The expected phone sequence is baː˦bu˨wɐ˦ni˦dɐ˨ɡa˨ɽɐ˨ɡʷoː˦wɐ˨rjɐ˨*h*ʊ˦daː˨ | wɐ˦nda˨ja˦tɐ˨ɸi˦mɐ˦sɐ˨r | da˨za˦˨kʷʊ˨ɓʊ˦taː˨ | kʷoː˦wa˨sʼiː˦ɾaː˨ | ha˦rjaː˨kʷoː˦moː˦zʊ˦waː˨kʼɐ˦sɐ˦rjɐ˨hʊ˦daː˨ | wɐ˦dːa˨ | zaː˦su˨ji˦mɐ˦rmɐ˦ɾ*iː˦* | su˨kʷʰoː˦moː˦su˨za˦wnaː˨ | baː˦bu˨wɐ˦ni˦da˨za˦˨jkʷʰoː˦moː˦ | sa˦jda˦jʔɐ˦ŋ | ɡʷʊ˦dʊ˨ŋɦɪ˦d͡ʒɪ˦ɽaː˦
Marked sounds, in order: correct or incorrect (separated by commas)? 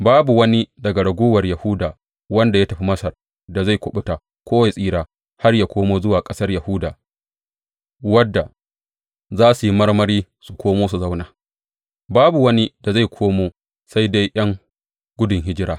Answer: correct, correct